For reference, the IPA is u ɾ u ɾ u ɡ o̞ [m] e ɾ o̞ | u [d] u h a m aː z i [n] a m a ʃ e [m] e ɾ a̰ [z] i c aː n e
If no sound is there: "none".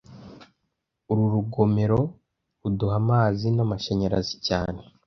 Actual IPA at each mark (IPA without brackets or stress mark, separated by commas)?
m, d, n, ɲ, z